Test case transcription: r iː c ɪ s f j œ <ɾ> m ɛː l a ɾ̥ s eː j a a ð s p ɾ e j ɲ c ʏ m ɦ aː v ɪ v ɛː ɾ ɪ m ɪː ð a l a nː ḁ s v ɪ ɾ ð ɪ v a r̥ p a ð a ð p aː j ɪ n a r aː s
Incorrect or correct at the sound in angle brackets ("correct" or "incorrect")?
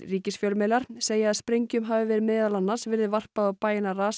incorrect